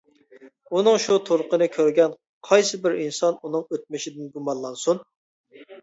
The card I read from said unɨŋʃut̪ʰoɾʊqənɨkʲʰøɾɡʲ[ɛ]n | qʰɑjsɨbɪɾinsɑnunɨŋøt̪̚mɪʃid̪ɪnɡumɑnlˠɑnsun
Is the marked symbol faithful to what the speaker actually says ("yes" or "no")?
yes